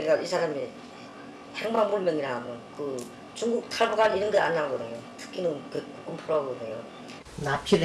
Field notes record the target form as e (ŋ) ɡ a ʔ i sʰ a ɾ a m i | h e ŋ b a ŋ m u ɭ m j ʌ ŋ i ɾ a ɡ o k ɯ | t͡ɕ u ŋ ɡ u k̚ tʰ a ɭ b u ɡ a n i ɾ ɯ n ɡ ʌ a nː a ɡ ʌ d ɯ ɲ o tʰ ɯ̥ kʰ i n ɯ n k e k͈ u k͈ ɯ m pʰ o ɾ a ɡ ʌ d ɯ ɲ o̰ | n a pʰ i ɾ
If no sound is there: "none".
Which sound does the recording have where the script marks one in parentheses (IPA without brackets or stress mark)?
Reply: none